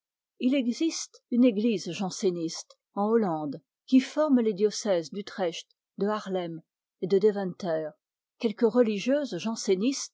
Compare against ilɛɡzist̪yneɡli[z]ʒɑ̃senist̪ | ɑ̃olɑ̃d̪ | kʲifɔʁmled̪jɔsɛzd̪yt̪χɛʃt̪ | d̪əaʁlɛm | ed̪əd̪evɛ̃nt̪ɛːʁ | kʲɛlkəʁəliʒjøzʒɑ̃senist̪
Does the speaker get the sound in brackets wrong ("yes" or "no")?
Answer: no